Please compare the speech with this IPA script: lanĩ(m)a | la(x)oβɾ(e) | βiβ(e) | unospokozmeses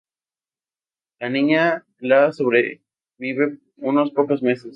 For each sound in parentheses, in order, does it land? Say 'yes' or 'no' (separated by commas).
no, no, yes, yes